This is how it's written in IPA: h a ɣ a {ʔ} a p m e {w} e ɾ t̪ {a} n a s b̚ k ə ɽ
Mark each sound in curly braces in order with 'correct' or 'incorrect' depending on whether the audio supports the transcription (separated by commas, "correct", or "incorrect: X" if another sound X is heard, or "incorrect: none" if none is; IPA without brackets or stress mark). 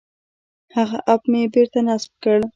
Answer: correct, incorrect: b, correct